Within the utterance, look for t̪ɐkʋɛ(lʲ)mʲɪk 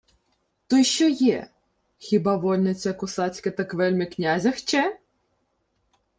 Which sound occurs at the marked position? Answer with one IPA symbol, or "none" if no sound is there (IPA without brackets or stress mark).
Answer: lʲ